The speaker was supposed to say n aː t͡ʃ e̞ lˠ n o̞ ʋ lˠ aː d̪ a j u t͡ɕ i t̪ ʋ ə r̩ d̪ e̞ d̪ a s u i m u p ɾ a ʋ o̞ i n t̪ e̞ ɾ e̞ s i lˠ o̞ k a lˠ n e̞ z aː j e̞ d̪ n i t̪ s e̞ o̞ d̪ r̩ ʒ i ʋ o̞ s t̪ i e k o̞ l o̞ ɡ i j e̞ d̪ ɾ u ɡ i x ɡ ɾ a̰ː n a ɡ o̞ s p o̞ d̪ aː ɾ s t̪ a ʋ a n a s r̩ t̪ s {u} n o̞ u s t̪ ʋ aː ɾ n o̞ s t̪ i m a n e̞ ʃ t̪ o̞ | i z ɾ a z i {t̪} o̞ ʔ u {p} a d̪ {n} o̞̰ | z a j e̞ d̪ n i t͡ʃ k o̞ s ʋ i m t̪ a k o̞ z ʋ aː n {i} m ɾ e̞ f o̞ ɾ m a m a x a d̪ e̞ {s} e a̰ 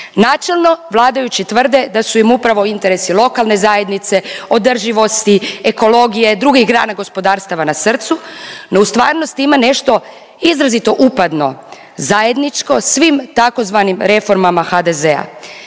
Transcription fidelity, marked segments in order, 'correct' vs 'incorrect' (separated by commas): correct, correct, correct, correct, correct, incorrect